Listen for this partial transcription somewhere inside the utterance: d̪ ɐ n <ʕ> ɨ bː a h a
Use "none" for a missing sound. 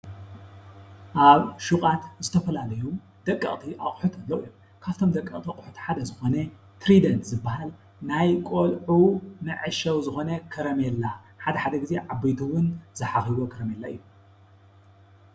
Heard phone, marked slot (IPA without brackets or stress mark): z